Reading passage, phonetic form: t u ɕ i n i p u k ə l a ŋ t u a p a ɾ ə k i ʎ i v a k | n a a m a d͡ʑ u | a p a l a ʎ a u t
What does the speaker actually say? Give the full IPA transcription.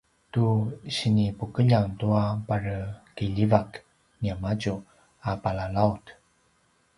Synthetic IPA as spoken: t u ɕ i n i p u k ə ʎ a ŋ t u a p a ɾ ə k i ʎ i v a k | n i a m a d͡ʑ u | a p a l a l a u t